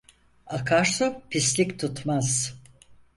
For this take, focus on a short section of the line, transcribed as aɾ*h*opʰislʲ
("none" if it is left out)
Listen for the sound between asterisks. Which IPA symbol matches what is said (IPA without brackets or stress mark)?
s